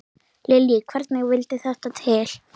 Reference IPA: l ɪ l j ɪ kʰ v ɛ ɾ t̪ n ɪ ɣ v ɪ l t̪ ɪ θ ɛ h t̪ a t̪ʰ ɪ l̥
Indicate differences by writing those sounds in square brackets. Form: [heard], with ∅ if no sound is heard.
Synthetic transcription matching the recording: l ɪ l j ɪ kʰ v ɛ ɾ t̪ n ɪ ɣ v ɪ l t̪ ɪ θ ɛ h t̪ a t̪ʰ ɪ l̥